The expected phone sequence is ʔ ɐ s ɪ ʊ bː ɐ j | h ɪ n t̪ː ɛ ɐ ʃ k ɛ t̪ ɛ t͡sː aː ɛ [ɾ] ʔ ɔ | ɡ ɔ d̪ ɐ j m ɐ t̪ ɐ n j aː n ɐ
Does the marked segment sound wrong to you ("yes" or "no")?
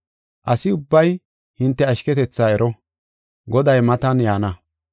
no